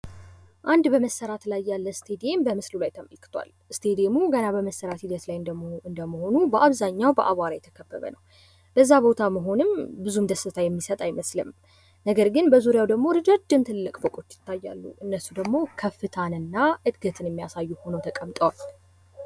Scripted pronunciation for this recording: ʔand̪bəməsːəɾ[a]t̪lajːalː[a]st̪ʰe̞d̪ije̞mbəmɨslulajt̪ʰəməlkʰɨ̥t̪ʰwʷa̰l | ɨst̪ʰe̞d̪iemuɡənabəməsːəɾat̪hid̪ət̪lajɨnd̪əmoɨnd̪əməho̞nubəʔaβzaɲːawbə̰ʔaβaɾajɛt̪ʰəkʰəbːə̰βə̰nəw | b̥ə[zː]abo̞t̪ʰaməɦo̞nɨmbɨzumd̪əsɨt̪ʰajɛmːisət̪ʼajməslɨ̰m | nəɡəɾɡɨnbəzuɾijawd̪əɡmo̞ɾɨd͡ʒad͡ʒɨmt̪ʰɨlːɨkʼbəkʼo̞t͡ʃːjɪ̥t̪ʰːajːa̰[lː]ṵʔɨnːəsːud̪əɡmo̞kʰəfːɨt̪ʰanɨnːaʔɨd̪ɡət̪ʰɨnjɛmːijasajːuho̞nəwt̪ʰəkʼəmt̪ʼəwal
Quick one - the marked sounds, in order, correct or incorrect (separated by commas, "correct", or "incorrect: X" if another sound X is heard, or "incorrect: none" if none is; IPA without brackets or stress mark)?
correct, incorrect: ə, correct, correct